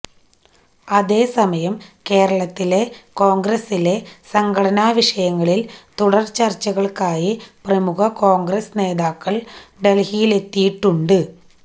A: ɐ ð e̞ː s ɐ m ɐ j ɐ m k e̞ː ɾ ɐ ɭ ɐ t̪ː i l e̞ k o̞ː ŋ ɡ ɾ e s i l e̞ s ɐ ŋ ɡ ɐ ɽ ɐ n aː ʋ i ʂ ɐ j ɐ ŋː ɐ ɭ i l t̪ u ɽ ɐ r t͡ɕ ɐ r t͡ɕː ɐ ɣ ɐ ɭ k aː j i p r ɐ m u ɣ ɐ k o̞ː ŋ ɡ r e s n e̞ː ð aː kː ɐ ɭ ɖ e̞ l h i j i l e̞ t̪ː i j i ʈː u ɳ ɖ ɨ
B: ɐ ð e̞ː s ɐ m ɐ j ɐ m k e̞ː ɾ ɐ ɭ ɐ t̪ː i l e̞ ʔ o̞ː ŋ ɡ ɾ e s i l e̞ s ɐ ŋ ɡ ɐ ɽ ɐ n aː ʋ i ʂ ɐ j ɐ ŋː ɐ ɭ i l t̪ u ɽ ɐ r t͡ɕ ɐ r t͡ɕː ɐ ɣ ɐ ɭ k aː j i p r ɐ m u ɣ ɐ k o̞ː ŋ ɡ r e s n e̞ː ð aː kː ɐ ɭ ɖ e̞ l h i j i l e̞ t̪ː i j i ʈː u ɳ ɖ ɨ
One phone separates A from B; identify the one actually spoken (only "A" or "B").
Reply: A